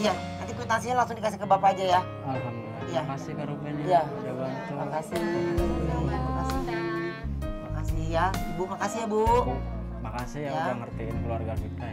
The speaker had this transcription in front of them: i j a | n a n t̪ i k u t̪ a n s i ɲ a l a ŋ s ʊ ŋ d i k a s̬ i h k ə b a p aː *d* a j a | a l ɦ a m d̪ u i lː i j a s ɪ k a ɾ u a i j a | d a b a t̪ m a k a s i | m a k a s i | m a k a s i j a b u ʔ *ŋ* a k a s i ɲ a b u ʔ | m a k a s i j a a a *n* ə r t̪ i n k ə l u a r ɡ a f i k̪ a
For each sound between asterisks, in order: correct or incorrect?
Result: incorrect, incorrect, incorrect

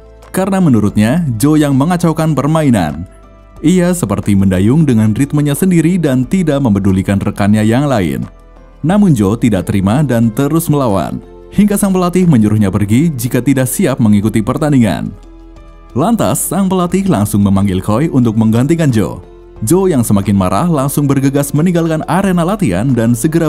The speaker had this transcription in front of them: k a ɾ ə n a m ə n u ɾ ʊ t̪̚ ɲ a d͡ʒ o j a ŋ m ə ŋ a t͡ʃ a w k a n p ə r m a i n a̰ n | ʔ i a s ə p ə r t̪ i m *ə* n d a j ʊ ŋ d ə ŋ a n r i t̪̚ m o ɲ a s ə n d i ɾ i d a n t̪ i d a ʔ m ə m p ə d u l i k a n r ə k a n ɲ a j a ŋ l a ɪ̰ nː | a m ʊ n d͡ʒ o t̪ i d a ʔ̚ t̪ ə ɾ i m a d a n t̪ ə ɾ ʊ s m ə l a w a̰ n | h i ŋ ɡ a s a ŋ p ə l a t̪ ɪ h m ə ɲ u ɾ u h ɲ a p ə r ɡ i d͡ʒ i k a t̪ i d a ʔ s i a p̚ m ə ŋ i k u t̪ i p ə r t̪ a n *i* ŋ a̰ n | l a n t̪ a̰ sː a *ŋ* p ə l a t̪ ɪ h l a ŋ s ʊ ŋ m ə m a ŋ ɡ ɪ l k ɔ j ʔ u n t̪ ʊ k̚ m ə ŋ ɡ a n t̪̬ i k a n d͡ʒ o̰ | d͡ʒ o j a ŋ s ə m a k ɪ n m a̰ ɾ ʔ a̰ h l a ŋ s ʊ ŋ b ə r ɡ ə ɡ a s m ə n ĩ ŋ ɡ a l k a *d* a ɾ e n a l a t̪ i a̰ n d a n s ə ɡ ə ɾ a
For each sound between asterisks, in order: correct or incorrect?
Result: correct, correct, correct, incorrect

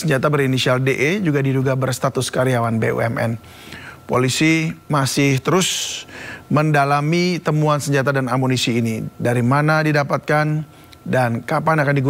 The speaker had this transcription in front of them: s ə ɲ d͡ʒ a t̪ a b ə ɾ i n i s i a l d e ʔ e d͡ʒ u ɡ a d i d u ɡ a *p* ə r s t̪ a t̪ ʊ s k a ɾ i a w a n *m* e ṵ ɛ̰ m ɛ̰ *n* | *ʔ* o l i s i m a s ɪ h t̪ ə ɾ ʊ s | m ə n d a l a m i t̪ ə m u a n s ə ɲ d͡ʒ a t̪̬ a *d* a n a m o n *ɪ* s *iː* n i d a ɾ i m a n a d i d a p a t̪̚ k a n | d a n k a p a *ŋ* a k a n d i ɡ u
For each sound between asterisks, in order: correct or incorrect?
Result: incorrect, incorrect, correct, incorrect, correct, incorrect, correct, incorrect

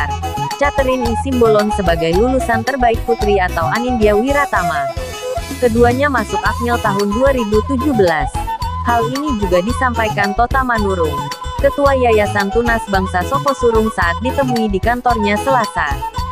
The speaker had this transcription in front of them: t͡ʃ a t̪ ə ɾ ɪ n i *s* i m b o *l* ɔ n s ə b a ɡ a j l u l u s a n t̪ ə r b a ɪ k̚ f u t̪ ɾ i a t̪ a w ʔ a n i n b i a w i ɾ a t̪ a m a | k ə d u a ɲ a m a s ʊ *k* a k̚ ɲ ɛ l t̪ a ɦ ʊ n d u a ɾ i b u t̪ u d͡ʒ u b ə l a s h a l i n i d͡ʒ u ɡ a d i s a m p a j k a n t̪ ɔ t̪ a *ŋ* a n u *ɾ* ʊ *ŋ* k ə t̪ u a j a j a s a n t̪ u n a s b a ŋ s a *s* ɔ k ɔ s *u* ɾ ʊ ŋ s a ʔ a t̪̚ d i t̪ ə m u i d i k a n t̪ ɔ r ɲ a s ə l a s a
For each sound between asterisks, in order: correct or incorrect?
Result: correct, correct, correct, incorrect, correct, correct, correct, correct

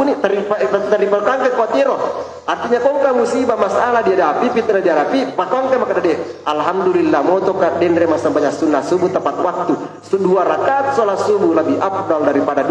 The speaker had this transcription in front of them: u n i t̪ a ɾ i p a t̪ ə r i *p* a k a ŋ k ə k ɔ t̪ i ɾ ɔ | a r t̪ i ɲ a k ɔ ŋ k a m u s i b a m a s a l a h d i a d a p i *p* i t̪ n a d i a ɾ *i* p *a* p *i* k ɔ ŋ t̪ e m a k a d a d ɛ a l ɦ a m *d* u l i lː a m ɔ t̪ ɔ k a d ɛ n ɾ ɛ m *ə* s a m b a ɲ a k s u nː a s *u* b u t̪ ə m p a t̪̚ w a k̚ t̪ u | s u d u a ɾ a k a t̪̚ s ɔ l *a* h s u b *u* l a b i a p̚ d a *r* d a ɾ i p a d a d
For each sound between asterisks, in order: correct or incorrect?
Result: correct, correct, incorrect, incorrect, incorrect, correct, incorrect, correct, correct, correct, incorrect

